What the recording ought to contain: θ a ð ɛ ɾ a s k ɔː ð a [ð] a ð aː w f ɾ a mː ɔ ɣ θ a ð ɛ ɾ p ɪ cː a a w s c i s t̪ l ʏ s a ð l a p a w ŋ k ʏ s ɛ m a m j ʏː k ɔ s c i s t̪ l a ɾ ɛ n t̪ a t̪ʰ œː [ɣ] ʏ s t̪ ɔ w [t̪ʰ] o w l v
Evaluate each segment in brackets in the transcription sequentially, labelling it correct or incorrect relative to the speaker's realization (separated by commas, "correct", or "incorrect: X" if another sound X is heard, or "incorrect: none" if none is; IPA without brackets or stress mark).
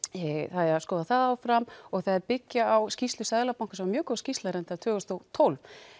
incorrect: θ, correct, correct